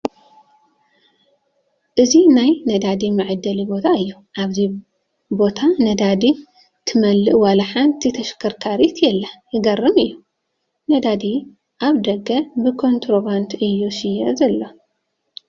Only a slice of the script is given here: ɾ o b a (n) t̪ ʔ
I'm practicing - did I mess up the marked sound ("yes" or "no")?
no